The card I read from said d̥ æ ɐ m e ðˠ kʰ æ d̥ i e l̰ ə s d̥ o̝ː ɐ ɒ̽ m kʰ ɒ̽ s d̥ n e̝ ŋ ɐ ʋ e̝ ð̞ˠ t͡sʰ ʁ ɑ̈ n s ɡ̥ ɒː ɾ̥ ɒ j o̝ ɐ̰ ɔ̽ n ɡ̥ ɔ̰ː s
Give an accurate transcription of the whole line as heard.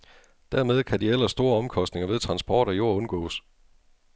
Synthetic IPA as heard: d̥ æ ɐ m e ðˠ kʰ æ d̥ i e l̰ ɐ s d̥ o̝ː ɐ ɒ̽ m kʰ ɒ̽ s d̥ n e̝ ŋ ɐ ʋ e̝ ð̞ˠ t͡sʰ ʁ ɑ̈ n s b̥ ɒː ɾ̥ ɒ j o̝ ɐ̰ ɔ̽ n ɡ̥ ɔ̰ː s

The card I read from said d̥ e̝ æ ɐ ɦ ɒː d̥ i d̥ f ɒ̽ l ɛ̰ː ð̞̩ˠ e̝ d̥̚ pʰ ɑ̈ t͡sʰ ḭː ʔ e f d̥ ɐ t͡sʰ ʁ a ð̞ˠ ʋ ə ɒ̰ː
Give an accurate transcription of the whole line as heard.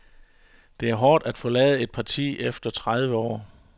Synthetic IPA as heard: d̥ e̝ æ ɐ ɦ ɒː d̥ æ d̥ f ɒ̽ l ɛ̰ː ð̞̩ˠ e̝ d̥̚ pʰ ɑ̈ t͡sʰ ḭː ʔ e f d̥ ɐ t͡sʰ ʁ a ð̞ˠ ʋ ə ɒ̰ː

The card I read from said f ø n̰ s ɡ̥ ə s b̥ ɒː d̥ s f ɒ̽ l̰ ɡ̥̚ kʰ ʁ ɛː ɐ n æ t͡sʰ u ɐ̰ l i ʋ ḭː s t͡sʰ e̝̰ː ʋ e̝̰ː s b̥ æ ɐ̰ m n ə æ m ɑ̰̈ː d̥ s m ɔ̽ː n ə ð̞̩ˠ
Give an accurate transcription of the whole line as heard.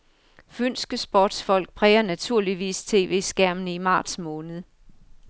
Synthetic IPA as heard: f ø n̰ s ɡ̥ ə s b̥ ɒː d̥ s f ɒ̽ l̰ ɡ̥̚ pʰ ʁ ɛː ɐ n æ t͡sʰ u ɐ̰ l i ʋ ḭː s t͡sʰ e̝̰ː ʋ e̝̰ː s ɡ̥ æ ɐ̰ m n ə i m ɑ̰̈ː d̥ s m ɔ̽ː n ə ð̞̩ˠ

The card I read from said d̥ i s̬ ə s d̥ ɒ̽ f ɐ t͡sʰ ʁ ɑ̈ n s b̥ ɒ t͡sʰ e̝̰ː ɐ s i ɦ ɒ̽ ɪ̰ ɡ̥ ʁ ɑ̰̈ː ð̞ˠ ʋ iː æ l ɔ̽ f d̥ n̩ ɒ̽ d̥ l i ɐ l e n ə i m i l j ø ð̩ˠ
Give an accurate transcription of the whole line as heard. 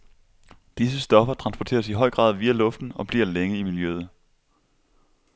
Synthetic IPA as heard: d̥ i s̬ ə s d̥ ɒ̽ f ɐ t͡sʰ ʁ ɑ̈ n s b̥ ɒ t͡sʰ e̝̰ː ɐ s i ɦ ɒ̽ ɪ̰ ɡ̥ ʁ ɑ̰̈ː ð̞ˠ ʋ iː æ l ɔ̽ f d̥ n̩ ɒ̽ b̥ l i ɐ l e ŋ ə i m i l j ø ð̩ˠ

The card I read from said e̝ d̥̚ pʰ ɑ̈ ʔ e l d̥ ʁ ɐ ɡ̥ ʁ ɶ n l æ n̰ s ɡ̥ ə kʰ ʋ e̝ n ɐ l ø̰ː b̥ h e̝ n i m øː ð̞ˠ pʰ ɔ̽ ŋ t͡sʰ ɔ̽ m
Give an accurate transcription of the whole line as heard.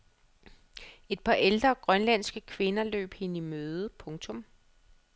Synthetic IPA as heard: e̝ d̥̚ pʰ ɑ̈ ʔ e l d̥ ʁ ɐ ɡ̥ ʁ ɶ n l æ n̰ s ɡ̥ ə kʰ ʋ e̝ n ɐ l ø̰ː b̥ h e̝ n i m øː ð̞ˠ pʰ ɔ̽ ŋ t͡sʰ ɔ̽ m

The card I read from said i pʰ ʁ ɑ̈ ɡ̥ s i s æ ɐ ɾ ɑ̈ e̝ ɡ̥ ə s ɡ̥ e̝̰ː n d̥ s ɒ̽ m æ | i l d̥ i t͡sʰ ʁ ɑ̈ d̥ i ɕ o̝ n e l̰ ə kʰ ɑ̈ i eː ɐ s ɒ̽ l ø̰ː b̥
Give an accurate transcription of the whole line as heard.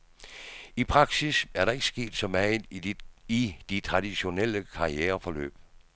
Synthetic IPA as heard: i pʰ ʁ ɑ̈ ɡ̥ s i s æ ɐ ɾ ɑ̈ e̝ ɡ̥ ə s ɡ̥ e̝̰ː d̥ s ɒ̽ m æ | i d̥ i t͡sʰ ʁ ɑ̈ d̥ i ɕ o̝ n e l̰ ə kʰ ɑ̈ i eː ɐ f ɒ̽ l ø̰ː b̥

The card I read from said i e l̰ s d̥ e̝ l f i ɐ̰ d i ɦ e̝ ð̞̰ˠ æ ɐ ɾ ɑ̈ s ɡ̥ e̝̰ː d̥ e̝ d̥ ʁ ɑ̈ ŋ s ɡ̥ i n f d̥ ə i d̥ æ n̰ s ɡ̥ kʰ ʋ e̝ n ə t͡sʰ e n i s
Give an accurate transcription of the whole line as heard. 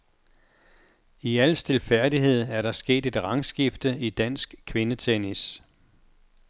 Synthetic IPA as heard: i æ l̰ s d̥ e̝ l f æ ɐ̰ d i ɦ e̝ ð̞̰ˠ æ ɐ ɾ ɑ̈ s ɡ̥ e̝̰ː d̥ e̝ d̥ ʁ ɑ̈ ŋ s ɡ̥ i f d̥ ə i d̥ æ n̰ s ɡ̥ kʰ ʋ e̝ n ə t͡sʰ e n i s

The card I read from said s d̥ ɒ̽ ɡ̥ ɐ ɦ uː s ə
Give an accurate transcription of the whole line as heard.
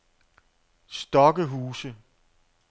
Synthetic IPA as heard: s d̥ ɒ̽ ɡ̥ ə ɦ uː s ə

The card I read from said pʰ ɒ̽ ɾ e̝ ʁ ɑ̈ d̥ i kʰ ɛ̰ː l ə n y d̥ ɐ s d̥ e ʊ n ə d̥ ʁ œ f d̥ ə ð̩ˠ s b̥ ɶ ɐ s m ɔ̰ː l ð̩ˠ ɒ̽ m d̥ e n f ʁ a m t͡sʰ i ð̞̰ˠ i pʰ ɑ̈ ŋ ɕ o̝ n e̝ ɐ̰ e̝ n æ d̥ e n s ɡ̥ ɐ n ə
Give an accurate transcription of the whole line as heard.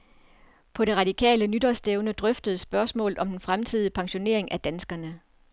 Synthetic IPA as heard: pʰ ɒ̽ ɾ e̝ ʁ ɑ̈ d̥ i kʰ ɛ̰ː l ə n y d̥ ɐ s d̥ e ʊ n ə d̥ ʁ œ f d̥ ə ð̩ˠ s b̥ ɶ ɐ s m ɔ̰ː l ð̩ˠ ɒ̽ m d̥ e n f ʁ a m t͡sʰ i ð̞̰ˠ i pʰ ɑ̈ ŋ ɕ o̝ n e̝ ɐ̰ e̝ ŋ æ d̥ æ n s ɡ̥ ɐ n ə

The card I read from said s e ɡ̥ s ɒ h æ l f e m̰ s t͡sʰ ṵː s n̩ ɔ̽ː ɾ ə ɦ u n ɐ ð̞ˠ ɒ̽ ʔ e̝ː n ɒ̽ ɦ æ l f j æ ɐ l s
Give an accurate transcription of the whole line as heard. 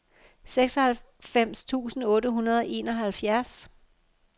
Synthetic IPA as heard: s e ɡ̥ s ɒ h æ l f e m̰ s t͡sʰ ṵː s n̩ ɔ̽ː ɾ ə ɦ u n ɐ ð̞ˠ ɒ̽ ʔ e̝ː n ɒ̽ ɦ æ l f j æ ɐ s

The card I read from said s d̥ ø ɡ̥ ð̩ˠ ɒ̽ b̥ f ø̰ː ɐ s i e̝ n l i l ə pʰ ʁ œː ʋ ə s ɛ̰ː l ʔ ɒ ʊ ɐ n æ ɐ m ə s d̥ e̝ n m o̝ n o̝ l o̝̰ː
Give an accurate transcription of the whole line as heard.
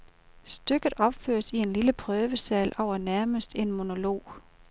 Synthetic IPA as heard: s d̥ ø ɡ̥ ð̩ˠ ɒ̽ b̥ f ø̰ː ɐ s i e̝ n l i l ə pʰ ʁ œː ʋ ə s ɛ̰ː l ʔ ɒ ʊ ɐ n æ ɐ m ə s d̥ e̝ n m o̝ n o̝ l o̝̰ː

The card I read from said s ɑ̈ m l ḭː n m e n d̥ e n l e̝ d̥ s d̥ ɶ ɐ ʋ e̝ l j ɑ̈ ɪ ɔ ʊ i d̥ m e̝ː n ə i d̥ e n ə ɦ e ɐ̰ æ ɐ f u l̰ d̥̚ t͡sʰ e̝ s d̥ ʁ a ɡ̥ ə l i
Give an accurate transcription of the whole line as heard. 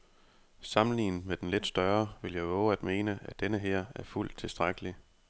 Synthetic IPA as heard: s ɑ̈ m l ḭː n m e d̥ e n l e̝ d̥ s d̥ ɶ ɐ ʋ e̝ l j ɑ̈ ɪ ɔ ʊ æ d̥ m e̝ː n ə æ d̥ e n ə ɦ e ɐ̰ æ ɐ f u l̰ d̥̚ t͡sʰ e̝ s d̥ ʁ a ɡ̥ ə l i

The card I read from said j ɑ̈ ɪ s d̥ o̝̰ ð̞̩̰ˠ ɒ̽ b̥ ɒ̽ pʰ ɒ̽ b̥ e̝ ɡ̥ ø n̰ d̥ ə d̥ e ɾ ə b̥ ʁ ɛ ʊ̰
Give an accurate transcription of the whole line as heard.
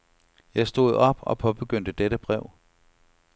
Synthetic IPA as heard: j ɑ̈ ɪ s d̥ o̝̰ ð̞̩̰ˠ ɒ̽ b̥ ɒ̽ pʰ ɒ̽ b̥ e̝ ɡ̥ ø n̰ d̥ ə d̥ e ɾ ə b̥ ʁ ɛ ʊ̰

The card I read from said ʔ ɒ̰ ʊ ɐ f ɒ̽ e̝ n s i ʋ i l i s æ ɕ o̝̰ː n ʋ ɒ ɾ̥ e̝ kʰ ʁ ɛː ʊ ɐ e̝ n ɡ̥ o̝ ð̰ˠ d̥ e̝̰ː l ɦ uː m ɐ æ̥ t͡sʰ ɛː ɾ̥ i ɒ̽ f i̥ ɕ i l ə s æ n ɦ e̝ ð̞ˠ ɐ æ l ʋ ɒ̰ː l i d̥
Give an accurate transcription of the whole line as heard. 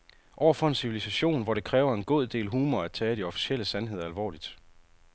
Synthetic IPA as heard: ʔ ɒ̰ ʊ ɐ f ɒ̽ e̝ n s i ʋ i l i s æ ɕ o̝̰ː n ʋ ɒ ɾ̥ e̝ kʰ ʁ ɛː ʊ ɐ e̝ n ɡ̥ o̝ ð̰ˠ d̥ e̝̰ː l ɦ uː m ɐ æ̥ t͡sʰ ɛː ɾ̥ i ɒ̽ f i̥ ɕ e l ə s æ n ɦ e̝ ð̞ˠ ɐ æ l ʋ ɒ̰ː l i d̥

